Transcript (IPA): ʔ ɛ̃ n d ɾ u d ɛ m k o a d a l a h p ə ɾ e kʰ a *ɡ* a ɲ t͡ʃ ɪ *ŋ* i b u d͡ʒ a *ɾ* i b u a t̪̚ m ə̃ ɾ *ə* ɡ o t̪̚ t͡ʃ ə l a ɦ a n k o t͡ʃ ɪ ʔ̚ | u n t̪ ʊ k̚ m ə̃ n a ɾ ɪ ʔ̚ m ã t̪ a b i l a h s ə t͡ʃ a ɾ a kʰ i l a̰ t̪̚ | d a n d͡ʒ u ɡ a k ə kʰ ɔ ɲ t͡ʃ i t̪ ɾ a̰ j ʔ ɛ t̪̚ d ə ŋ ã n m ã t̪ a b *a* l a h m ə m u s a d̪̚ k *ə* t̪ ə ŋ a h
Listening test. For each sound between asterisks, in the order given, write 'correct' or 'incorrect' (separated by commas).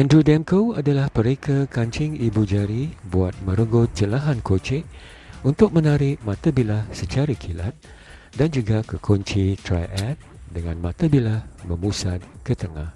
incorrect, correct, correct, correct, incorrect, correct